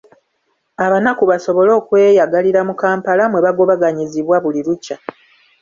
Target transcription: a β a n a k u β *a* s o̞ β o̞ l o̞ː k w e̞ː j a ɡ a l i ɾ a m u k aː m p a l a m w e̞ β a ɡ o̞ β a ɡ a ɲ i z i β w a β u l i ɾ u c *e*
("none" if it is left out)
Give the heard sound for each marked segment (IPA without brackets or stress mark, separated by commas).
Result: a, a